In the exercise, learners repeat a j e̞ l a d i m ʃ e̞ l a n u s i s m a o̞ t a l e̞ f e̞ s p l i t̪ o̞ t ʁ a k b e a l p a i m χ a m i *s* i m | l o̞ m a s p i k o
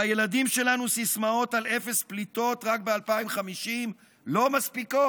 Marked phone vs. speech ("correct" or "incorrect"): incorrect